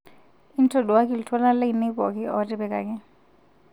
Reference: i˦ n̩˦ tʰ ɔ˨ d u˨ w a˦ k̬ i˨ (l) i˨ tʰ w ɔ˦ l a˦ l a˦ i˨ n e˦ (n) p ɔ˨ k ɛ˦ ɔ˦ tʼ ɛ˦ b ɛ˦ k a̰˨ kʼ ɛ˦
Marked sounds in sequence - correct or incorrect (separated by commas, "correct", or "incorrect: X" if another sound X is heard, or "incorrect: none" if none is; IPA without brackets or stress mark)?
correct, incorrect: none